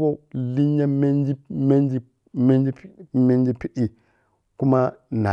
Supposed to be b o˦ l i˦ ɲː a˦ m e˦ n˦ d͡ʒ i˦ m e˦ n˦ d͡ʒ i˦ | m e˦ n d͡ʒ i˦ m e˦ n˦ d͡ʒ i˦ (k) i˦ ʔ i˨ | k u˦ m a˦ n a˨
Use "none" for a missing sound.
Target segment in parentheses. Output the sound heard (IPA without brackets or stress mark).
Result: p